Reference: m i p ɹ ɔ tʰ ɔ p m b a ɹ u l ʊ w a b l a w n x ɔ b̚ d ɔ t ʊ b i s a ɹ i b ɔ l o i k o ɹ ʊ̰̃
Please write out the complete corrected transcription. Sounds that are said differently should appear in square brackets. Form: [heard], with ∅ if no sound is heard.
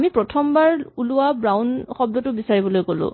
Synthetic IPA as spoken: m i p ɹ ɔ tʰ ɔ [∅] m b a ɹ u l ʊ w a b [ɹ] a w n x ɔ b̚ d ɔ t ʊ b i s a ɹ i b ɔ l o [j] k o [l] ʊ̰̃

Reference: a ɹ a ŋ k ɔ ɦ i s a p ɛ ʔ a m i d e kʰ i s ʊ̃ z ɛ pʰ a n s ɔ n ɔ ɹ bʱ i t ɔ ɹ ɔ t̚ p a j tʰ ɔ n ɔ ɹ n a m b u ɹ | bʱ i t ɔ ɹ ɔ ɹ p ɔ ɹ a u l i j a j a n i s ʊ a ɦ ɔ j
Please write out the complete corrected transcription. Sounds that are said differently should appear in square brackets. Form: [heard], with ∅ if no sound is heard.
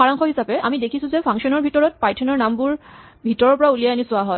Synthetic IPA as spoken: a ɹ a ŋ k ɔ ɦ i s a p ɛ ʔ a m i d e kʰ i s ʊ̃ z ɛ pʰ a [ŋ] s ɔ n ɔ ɹ bʱ i t ɔ ɹ ɔ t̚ p a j tʰ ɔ n ɔ ɹ n a m b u ɹ | bʱ i t ɔ ɹ ɔ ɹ p ɔ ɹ a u l i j a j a n i s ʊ a ɦ ɔ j

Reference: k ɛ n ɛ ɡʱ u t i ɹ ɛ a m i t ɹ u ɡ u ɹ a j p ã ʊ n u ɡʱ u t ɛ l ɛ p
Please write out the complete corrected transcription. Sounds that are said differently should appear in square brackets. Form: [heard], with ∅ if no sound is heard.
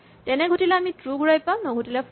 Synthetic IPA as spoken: [t] ɛ n ɛ ɡʱ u t i [l] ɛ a m i t ɹ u ɡ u ɹ a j p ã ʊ n [ɔ] ɡʱ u t [i] l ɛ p

